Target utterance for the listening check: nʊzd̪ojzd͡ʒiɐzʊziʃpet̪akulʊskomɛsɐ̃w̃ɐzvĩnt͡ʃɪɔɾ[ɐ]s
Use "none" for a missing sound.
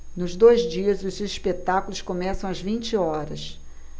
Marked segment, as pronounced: ɐ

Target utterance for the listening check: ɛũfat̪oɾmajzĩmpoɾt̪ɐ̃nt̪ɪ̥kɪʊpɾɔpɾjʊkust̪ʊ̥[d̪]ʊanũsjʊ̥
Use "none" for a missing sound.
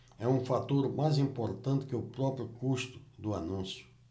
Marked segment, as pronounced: d̪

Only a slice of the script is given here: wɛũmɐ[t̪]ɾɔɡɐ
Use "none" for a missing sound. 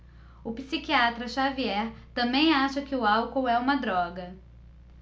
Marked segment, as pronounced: d̪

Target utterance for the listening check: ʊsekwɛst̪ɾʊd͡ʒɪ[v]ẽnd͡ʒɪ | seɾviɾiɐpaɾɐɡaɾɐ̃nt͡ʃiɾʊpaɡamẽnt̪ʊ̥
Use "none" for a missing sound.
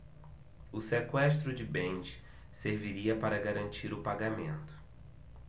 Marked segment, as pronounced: b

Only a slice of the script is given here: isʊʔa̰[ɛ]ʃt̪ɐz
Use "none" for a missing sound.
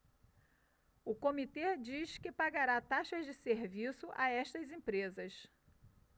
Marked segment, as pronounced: ɛ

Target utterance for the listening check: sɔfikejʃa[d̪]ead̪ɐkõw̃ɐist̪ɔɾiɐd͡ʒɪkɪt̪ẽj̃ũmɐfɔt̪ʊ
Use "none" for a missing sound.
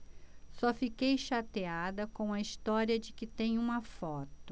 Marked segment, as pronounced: t̪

